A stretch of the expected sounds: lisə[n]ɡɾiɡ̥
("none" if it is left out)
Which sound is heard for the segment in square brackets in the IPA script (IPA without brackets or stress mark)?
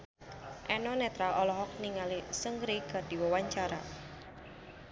ŋ